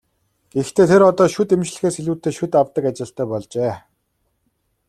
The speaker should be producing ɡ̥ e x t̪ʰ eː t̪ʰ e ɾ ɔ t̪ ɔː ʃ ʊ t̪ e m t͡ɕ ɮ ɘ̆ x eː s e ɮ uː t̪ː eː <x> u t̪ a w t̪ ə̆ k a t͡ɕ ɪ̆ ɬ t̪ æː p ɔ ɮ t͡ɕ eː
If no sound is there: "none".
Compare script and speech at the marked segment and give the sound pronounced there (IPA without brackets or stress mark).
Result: ʃ